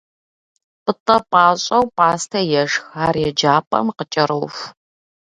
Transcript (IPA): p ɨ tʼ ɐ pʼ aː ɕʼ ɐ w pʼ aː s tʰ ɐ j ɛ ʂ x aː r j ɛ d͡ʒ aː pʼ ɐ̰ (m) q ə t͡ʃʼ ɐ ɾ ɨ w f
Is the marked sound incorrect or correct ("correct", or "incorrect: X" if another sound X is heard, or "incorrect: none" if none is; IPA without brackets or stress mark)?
correct